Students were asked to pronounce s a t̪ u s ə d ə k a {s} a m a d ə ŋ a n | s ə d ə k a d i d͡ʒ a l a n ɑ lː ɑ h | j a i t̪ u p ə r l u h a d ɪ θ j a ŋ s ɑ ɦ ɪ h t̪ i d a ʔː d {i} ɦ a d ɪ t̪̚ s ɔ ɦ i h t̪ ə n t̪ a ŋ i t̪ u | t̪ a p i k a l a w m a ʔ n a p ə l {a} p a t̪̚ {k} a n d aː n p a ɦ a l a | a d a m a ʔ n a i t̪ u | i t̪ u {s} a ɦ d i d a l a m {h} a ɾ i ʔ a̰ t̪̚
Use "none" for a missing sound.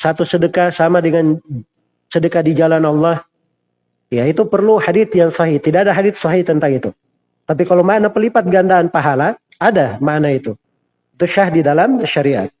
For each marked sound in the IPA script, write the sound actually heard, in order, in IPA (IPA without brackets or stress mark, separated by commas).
s, a, i, ɡ, ʃ, ʃ